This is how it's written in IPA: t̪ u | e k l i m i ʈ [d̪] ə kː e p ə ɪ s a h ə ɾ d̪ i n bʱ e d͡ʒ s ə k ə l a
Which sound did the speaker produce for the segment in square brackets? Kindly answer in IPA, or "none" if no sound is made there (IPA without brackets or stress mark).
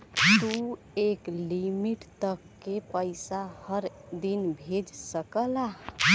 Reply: t̪